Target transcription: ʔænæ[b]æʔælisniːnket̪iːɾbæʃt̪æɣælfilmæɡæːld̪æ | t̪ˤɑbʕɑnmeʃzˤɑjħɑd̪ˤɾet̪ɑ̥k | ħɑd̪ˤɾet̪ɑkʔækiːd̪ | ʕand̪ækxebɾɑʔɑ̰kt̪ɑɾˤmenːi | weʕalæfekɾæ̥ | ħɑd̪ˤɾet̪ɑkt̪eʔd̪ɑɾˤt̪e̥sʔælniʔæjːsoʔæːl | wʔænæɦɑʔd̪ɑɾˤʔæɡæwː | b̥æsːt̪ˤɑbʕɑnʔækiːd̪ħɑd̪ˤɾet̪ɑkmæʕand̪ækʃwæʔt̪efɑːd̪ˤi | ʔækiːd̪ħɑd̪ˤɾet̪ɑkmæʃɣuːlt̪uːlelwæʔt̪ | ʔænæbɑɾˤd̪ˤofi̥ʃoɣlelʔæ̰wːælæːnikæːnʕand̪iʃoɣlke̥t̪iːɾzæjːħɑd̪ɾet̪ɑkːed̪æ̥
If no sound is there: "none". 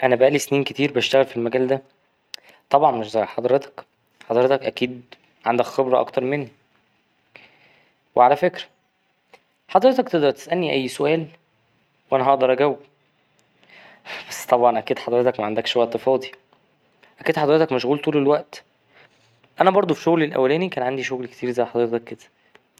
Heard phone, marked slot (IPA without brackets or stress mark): b